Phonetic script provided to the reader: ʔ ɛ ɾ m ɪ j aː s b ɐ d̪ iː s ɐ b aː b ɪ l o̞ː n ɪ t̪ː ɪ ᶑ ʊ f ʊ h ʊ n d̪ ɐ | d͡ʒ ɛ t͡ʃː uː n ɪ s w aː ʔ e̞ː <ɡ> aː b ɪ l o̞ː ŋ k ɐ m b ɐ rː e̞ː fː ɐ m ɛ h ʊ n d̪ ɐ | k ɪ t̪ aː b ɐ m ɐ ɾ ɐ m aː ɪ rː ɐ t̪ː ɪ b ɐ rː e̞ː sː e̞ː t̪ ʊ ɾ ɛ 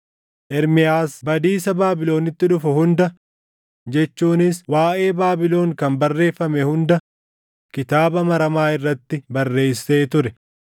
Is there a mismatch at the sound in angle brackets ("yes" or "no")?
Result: yes